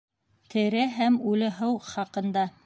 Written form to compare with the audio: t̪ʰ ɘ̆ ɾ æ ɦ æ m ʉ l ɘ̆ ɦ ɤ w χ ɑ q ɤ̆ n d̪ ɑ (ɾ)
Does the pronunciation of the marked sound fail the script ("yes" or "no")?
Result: yes